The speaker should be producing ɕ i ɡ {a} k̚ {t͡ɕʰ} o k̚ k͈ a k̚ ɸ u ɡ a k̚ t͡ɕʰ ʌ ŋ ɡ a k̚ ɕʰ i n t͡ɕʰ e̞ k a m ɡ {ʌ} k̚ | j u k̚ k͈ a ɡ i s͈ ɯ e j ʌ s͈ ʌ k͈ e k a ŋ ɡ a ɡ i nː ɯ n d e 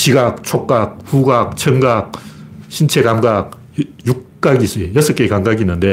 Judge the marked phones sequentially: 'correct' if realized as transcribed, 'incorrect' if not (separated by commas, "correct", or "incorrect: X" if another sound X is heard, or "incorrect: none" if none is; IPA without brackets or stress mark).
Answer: correct, correct, incorrect: a